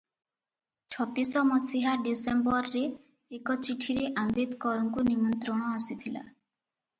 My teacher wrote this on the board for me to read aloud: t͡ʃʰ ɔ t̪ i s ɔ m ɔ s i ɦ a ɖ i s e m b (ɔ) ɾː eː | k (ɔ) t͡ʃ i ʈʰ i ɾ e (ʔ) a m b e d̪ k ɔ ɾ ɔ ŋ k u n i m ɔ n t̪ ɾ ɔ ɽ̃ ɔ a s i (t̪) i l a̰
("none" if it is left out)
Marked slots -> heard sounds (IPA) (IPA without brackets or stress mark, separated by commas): ɔ, ɔ, ʔ, t̪ʰ